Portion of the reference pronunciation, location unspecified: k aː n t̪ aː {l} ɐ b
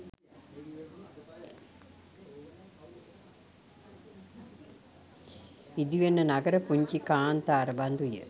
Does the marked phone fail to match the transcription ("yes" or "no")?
yes